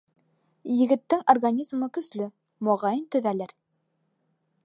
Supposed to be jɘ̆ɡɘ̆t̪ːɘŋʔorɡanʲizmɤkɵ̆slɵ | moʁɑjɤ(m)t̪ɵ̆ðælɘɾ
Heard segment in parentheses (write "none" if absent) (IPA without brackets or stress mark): n